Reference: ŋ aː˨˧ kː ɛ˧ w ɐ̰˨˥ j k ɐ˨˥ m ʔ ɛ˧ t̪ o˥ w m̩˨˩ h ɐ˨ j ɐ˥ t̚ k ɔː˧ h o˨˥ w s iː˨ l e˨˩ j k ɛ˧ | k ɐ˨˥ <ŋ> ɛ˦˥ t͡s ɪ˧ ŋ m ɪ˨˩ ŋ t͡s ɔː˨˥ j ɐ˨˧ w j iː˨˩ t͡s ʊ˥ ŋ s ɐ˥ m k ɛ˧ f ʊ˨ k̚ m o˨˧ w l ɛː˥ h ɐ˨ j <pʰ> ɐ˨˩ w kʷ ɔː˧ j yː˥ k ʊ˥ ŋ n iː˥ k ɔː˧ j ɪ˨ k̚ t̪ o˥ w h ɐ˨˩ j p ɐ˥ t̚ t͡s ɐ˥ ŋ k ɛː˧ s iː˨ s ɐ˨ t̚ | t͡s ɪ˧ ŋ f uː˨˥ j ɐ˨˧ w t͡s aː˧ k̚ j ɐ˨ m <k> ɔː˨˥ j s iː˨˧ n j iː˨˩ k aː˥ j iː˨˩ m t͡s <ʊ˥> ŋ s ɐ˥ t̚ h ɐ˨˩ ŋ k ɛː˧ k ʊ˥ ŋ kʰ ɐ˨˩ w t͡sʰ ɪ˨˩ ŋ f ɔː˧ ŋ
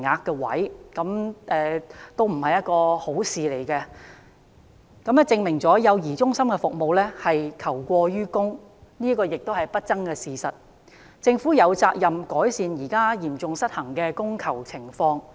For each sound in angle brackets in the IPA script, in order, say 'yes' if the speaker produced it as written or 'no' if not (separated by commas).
no, no, yes, no